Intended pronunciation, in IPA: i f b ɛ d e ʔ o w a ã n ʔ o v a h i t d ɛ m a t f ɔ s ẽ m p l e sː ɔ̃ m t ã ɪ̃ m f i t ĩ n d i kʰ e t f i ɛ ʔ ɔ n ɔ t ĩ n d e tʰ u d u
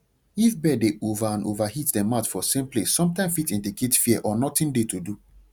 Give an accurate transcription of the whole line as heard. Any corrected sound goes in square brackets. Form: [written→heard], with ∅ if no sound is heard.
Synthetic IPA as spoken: i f b ɛ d e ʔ o [w→v] a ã n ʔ o v a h i t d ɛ m a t f ɔ s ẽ m p l e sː ɔ̃ m t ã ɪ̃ m f i t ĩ n d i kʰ e t f i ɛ ʔ ɔ n ɔ t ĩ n d e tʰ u d u

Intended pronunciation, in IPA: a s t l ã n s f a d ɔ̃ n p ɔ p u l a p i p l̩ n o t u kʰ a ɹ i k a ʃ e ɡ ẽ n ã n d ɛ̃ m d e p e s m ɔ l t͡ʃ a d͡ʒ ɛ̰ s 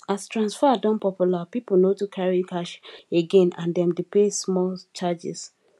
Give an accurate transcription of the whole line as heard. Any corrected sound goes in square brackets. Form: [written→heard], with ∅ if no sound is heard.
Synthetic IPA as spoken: a s t [l→ɹ] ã n s f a d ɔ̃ n p ɔ p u l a p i p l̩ n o t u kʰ a ɹ i k a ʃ e ɡ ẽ n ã n d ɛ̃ m d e p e s m ɔ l t͡ʃ a d͡ʒ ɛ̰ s

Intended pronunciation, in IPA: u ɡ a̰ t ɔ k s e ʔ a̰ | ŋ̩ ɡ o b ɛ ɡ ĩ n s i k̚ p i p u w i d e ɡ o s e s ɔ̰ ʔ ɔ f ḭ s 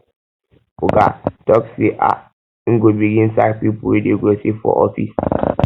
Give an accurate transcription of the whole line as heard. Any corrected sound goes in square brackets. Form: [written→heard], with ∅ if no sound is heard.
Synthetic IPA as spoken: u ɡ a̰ t ɔ k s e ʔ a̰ | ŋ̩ ɡ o b [ɛ→i] ɡ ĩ n s [i→a] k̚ p i p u w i d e ɡ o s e [s→f] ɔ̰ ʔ ɔ f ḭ s

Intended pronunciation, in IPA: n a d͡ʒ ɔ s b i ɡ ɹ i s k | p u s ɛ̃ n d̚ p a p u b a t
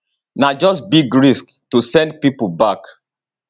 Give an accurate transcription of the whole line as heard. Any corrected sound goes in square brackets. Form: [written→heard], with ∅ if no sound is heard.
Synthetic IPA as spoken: n a d͡ʒ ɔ s b i ɡ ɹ i s k | [p→t] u s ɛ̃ n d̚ p [a→i] p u b a [t→k]

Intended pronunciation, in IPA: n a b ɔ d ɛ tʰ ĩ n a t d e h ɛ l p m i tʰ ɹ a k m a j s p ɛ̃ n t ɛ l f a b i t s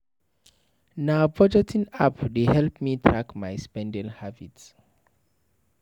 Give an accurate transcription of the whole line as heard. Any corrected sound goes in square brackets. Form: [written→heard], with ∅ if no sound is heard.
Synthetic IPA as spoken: n a b ɔ [d→d͡ʒ] ɛ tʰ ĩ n a [t→p] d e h ɛ l p m i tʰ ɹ a k m a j s p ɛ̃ n [t→d] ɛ l [f→h] a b i t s

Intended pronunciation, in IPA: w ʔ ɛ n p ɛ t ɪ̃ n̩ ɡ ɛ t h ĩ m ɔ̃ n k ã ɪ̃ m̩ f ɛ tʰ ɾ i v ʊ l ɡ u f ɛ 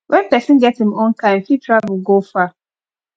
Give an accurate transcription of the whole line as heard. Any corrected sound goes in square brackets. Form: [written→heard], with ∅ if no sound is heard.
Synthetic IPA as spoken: w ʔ ɛ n p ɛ [t→s] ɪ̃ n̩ ɡ ɛ t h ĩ m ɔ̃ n k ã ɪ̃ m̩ f [ɛ→i] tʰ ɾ [i→a] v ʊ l ɡ [u→o] f [ɛ→a]

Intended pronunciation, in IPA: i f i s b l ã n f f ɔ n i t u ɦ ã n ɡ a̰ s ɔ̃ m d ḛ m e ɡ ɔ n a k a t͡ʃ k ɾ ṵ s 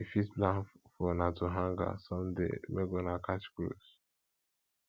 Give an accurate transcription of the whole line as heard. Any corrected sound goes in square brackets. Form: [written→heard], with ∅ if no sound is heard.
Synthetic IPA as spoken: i f i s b l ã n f f ɔ n [i→a] t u ɦ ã [n→ŋ] ɡ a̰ s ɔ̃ m d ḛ m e ɡ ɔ n a k a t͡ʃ k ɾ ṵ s

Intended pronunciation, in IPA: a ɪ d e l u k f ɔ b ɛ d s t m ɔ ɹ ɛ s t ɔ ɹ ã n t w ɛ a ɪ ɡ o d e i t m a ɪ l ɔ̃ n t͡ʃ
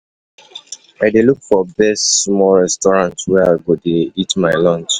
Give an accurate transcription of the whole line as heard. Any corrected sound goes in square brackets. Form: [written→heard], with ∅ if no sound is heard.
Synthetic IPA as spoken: a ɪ d e l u k f ɔ b ɛ [d→∅] s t m ɔ ɹ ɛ s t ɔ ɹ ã n t w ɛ a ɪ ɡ o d e i t m a ɪ l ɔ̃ n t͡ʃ

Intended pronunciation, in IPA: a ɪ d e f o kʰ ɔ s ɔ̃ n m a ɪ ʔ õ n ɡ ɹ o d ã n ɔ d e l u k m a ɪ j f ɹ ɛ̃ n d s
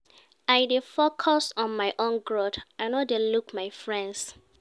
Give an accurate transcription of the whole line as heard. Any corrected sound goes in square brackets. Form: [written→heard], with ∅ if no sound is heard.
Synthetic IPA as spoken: a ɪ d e f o kʰ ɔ s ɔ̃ n m a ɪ ʔ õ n ɡ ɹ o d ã n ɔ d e l u k m a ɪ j f ɹ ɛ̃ n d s

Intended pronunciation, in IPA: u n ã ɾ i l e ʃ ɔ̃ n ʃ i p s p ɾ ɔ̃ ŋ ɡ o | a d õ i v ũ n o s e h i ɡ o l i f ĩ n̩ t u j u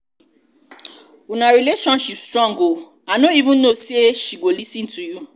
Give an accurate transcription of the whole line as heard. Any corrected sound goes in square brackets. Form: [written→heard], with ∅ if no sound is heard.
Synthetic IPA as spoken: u n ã ɾ i l e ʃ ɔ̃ n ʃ i p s [p→t] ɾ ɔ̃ ŋ ɡ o | a [d→n] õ i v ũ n o s e [h→ʃ] i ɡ o l i [f→s] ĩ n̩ t u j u

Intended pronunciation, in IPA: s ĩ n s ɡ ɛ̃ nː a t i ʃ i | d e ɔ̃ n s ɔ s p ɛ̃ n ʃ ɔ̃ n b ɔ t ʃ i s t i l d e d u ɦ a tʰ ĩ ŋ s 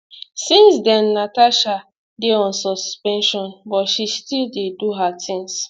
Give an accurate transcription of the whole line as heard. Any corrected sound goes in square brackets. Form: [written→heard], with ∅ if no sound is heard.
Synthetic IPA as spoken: s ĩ n s [ɡ→d] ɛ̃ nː a t [i→a] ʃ [i→a] | d e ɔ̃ n s ɔ s p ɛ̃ n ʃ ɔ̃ n b ɔ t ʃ i s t i l d e d u ɦ a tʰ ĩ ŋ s

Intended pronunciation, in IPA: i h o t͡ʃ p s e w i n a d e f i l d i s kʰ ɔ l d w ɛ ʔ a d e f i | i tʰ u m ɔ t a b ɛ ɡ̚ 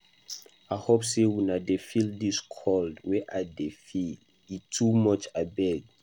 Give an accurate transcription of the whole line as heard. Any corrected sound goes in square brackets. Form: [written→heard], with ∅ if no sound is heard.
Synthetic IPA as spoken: [i→a] h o [t͡ʃ→∅] p s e w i n a d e f i l d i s kʰ ɔ l d w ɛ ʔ a d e f i | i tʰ u m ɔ [t→t͡ʃ] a b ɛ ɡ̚

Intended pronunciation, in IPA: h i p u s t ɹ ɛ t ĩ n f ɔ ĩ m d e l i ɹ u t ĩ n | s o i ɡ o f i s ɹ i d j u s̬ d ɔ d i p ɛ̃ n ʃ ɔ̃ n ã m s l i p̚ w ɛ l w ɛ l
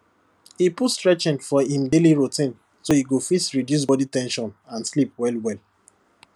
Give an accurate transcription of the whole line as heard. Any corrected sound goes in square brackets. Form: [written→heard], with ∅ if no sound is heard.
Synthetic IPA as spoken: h i p u s t ɹ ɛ [t→t͡ʃ] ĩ n f ɔ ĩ m d e l i ɹ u t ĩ n | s o i ɡ o f i s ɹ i d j u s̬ [d→b] ɔ d i [p→t] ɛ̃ n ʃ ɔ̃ n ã [m→n] s l i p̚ w ɛ l w ɛ l

